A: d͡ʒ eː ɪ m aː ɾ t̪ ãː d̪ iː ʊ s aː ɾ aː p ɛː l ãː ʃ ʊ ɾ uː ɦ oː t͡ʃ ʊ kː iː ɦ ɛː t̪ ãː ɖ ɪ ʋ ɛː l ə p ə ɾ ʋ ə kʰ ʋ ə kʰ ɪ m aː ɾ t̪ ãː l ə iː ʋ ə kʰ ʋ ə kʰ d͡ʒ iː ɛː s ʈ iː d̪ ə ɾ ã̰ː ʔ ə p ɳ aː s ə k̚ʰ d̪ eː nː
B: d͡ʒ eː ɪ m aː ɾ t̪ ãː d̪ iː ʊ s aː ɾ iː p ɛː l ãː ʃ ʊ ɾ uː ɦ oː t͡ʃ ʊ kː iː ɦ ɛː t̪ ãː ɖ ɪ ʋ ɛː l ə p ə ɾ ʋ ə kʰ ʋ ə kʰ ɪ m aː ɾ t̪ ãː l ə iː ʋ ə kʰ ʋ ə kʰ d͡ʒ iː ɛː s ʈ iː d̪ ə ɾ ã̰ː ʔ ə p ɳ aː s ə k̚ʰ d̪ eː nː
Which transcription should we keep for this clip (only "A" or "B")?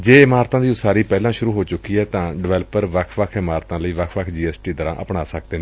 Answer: B